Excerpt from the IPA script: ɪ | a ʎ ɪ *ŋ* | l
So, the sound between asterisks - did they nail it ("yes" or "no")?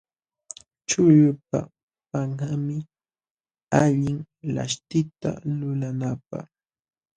yes